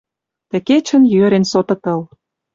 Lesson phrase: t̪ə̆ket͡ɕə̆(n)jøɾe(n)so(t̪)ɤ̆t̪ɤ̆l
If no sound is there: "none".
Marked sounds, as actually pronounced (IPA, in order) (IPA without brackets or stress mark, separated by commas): n, n, t̪